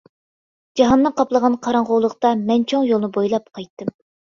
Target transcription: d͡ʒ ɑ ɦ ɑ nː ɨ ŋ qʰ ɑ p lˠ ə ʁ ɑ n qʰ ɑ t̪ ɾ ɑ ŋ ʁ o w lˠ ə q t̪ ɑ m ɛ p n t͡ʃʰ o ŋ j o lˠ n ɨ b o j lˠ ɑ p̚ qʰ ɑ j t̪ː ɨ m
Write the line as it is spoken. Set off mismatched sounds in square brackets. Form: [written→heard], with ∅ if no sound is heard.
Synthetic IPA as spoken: d͡ʒ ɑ ɦ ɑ nː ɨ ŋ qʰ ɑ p lˠ ə ʁ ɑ n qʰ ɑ [t̪→∅] ɾ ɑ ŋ ʁ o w lˠ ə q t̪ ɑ m ɛ [p→∅] n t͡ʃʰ o ŋ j o lˠ n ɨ b o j lˠ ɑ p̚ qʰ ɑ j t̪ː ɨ m